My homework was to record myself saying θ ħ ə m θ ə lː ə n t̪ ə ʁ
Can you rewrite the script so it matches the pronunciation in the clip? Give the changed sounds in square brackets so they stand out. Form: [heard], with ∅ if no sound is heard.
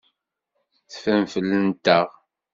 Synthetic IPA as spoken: θ [f] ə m [f] ə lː ə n t̪ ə ʁ